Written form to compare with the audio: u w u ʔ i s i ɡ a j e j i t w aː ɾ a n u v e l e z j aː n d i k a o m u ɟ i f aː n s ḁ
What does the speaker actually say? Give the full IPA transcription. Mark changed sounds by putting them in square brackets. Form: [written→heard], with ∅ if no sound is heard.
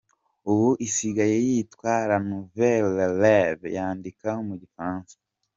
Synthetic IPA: u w u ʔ i s i ɡ a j e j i t w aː ɾ a n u v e l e [z→v] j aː n d i k a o m u ɟ i f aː n s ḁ